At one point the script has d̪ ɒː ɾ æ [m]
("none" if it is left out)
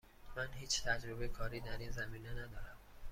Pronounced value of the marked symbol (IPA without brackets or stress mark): m